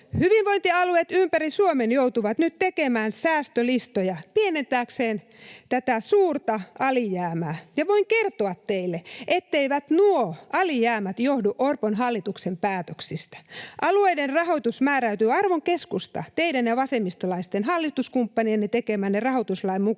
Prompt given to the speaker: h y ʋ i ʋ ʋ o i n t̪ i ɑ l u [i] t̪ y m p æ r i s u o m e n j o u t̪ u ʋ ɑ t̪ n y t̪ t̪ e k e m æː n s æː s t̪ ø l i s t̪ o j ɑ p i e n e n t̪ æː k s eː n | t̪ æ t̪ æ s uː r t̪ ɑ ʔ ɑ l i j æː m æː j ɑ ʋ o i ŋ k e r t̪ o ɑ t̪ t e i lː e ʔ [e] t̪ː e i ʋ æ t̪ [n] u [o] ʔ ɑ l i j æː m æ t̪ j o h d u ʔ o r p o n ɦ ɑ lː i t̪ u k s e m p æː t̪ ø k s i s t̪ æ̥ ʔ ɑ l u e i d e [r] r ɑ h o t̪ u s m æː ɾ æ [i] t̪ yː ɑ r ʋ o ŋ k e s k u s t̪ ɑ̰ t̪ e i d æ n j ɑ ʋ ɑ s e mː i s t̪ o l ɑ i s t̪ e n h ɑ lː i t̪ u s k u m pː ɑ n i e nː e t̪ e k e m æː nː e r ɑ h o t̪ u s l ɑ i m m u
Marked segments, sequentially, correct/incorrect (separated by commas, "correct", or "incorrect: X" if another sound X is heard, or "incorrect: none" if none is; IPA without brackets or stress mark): incorrect: e, correct, correct, correct, correct, incorrect: y